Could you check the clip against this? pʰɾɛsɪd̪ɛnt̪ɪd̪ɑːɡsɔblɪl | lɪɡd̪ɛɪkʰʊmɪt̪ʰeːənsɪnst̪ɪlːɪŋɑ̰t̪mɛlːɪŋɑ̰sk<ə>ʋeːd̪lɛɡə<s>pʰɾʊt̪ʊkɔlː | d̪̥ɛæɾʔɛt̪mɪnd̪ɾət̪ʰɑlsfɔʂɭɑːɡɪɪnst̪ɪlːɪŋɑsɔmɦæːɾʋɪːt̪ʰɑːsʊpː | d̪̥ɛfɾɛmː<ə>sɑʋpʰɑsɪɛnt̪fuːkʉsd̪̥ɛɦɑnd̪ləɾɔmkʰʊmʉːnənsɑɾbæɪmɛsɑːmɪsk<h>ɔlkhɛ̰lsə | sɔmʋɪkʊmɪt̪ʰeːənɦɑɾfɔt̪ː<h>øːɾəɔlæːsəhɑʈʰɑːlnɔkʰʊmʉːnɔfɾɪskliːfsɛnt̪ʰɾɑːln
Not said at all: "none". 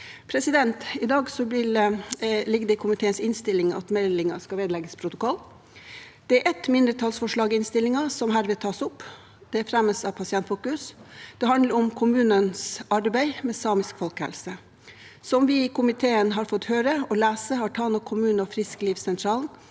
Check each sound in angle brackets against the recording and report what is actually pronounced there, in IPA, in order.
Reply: ɑ, s, ə, f, h

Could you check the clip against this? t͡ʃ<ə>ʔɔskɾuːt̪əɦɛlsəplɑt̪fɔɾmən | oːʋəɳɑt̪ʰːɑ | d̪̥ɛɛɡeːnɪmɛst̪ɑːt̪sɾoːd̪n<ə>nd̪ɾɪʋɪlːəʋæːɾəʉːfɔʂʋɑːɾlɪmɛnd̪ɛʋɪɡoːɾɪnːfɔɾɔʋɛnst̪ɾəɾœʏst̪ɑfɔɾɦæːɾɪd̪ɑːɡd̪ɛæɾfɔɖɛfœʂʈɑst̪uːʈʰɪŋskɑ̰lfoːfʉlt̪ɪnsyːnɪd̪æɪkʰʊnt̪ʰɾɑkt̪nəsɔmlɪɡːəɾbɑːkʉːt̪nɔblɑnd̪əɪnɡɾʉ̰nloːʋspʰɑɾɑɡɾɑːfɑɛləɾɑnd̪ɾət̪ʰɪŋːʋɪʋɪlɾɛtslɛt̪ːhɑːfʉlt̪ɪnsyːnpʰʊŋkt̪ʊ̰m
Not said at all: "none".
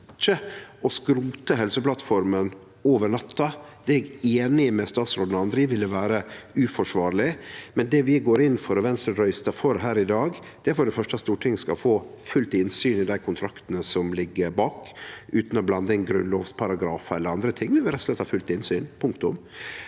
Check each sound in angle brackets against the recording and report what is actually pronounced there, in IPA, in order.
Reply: ə, ɑ

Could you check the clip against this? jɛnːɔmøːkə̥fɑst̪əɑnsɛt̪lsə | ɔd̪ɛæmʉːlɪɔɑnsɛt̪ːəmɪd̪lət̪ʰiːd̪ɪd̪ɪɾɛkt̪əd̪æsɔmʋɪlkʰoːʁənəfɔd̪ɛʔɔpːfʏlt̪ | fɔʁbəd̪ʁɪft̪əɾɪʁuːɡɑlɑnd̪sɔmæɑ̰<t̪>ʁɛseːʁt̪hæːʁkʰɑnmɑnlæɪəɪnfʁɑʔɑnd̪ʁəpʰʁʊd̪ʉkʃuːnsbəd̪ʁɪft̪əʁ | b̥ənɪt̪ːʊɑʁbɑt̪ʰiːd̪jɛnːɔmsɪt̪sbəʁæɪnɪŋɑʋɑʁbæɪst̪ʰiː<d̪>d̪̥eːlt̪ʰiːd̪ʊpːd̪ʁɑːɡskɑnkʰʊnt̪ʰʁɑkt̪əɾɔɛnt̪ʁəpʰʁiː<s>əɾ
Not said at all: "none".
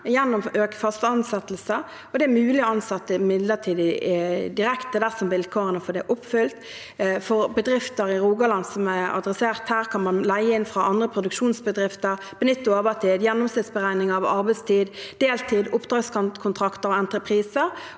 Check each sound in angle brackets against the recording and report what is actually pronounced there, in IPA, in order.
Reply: d̪, d̪, s

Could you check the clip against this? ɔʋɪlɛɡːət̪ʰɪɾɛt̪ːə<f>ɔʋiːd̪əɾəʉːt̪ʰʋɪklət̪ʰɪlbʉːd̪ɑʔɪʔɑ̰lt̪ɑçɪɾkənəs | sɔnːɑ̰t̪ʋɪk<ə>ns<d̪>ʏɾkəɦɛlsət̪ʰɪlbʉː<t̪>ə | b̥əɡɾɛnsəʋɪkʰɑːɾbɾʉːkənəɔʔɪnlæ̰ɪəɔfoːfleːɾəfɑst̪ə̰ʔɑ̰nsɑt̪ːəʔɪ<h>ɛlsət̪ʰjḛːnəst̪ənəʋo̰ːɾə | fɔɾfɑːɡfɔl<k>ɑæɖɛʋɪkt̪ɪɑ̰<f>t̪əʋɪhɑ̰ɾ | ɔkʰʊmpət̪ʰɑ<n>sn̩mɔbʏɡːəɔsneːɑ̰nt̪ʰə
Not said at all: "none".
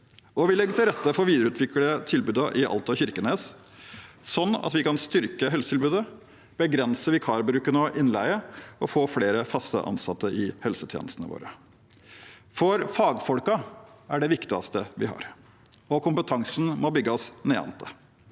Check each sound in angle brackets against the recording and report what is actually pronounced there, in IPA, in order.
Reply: f, ɑ, t̪, d̪, h, k, s, ŋ

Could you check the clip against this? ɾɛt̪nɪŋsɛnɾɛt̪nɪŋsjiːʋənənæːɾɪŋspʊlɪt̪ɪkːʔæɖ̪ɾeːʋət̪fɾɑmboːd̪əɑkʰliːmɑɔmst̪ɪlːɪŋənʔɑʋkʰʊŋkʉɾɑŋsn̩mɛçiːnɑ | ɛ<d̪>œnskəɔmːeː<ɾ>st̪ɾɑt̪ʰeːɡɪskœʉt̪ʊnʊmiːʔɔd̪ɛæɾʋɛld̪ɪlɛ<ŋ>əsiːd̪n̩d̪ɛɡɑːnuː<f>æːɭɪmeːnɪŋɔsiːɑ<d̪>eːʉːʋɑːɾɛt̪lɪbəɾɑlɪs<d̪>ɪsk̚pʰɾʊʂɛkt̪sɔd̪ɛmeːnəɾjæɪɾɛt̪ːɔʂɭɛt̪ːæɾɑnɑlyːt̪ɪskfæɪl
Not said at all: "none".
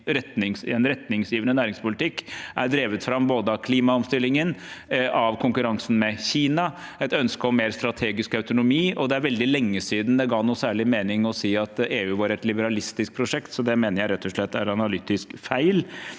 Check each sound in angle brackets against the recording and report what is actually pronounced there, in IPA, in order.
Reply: t̪, ɾ, ŋː, s, t̪, t̪

